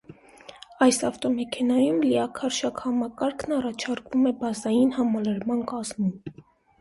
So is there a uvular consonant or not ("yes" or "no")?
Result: no